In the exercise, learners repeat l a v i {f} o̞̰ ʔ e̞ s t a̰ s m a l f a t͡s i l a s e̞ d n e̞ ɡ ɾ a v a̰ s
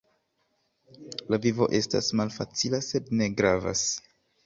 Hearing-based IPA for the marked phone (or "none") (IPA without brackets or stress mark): v